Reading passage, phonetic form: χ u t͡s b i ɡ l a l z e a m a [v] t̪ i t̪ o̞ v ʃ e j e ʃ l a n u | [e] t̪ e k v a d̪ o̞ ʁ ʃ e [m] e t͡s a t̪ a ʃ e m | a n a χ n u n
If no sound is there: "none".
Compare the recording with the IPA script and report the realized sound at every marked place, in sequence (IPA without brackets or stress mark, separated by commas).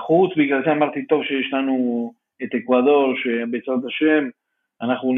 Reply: ʁ, e, b